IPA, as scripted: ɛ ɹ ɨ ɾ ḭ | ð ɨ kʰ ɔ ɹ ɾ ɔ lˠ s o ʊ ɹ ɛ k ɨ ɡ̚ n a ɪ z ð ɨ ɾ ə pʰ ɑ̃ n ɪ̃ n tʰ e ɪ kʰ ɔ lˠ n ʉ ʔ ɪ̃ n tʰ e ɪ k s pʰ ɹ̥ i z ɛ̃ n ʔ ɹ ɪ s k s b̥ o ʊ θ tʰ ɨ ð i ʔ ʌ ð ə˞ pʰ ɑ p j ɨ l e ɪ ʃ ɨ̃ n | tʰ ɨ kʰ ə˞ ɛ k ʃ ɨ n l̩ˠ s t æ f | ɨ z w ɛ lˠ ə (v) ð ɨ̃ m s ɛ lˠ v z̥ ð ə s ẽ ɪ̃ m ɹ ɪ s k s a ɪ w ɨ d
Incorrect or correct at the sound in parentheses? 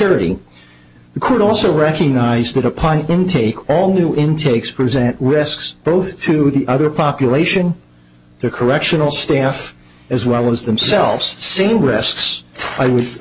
incorrect: z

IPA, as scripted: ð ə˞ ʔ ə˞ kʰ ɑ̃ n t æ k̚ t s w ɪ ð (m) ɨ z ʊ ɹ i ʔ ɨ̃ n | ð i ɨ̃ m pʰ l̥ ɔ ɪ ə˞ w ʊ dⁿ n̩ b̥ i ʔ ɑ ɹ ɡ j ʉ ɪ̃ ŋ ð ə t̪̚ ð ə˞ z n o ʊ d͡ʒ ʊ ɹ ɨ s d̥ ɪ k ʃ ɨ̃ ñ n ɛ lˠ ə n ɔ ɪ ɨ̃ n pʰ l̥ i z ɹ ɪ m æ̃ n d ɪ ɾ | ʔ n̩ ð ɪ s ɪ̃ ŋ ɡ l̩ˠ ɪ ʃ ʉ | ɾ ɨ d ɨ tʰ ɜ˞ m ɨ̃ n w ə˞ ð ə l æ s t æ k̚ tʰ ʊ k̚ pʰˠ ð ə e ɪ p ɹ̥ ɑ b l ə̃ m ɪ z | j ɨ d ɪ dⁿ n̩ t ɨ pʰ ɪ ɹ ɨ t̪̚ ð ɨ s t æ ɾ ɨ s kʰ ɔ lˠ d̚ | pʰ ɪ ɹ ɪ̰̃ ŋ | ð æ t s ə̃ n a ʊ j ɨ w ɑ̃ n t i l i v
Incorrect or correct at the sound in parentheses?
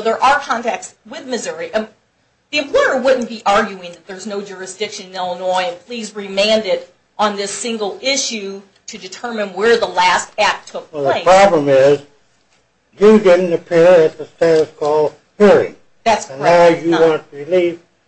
correct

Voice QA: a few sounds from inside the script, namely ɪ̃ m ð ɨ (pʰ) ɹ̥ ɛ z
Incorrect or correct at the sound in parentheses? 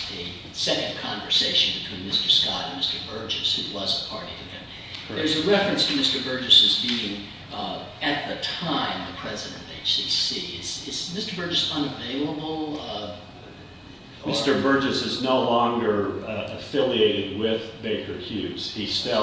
correct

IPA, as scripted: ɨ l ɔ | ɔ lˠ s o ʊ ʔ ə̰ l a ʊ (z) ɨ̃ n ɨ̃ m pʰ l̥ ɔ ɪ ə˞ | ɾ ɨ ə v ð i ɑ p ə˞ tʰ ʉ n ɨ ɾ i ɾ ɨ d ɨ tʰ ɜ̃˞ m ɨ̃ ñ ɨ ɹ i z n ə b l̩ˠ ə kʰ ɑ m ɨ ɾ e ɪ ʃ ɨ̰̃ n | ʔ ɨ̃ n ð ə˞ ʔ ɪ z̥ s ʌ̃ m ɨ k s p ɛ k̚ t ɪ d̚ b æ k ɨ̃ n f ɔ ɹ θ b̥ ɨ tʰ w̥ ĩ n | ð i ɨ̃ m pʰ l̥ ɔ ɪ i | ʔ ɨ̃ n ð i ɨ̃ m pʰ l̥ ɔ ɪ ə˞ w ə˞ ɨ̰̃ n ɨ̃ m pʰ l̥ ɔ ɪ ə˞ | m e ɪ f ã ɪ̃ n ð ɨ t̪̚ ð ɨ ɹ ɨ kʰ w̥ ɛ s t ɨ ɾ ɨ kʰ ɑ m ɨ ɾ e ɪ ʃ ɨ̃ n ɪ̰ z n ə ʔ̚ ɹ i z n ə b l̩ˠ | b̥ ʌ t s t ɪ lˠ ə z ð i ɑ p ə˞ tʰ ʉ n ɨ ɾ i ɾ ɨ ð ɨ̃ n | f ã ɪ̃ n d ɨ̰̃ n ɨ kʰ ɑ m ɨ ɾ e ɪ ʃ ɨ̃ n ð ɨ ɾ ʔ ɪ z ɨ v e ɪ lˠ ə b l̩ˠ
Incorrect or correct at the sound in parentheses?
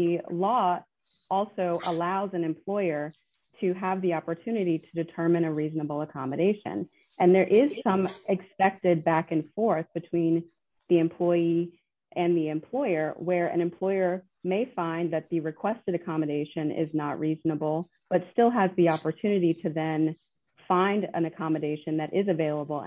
correct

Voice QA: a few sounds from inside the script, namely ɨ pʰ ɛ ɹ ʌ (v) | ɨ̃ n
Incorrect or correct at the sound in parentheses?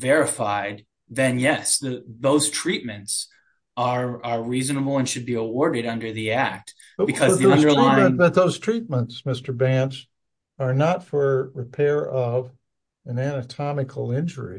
correct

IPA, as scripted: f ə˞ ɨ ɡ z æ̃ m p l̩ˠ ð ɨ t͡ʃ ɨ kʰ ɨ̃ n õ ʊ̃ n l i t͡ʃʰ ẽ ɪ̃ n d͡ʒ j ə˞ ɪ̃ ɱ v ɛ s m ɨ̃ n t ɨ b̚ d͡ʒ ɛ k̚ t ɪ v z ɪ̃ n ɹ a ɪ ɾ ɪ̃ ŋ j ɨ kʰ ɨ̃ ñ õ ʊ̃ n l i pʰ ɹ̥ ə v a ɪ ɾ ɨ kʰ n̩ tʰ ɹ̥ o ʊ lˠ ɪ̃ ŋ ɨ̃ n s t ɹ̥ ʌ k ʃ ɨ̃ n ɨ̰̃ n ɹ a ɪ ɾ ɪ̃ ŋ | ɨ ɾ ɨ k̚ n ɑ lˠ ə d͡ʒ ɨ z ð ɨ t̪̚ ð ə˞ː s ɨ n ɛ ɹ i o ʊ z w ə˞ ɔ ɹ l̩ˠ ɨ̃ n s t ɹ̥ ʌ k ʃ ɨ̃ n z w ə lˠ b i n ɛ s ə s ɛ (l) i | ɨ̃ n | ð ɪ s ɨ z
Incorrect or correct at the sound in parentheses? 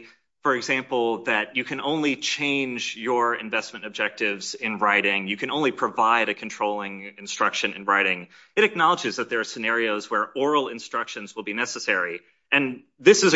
incorrect: ɹ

